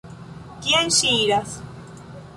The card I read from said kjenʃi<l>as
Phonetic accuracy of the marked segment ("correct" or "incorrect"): incorrect